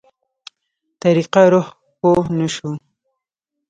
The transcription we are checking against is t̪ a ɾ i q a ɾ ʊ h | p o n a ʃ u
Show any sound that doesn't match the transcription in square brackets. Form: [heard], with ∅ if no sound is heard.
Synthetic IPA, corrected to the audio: t̪ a ɾ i q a ɾ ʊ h | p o n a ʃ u